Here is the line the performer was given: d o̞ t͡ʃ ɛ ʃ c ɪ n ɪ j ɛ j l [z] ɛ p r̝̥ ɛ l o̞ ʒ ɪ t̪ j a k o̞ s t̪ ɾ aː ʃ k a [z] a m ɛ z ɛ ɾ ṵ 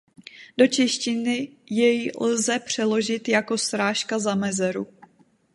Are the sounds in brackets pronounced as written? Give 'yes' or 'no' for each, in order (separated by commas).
yes, yes